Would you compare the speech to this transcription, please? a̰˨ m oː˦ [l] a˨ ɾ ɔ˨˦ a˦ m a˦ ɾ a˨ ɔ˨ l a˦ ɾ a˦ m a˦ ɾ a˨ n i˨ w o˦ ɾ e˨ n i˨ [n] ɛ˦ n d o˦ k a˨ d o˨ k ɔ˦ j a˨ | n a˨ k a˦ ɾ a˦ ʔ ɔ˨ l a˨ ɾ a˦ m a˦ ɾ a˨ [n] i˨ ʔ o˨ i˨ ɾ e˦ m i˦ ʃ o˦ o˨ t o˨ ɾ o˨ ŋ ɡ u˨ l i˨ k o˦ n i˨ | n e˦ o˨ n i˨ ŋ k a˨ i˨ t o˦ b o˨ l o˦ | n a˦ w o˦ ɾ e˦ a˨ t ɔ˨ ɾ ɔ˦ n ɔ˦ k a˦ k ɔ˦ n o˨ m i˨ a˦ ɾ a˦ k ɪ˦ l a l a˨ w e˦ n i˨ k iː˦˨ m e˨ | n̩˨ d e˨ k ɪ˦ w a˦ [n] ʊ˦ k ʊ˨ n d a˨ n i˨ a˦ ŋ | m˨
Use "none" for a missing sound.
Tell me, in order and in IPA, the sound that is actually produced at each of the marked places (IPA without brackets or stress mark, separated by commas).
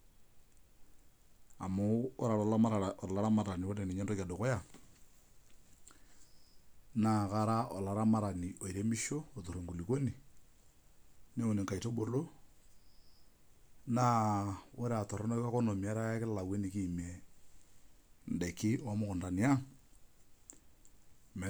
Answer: ɾ, ɲ, n, m